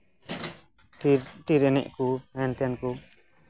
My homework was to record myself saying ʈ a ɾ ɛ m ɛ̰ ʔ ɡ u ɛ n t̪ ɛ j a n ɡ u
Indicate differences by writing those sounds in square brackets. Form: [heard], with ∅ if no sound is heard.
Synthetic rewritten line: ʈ [i] ɾ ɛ [n] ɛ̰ ʔ [k] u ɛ n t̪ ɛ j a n [k] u